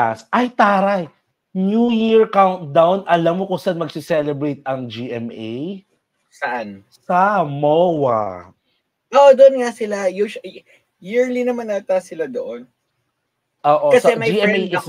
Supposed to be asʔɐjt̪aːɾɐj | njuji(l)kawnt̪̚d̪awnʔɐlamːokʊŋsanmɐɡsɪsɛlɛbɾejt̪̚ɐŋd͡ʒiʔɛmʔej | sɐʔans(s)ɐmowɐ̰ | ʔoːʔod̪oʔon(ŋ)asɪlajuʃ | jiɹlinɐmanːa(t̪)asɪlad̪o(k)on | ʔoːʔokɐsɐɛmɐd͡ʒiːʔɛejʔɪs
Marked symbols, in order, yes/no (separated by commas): no, yes, yes, yes, no